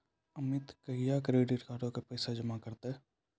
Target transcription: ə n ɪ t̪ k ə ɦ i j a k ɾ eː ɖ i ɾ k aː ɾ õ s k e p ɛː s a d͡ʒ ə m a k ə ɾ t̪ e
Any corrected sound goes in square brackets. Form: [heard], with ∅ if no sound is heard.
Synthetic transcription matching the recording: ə [m] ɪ t̪ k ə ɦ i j a k ɾ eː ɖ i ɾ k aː ɾ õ [∅] k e p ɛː s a d͡ʒ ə m a k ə ɾ t̪ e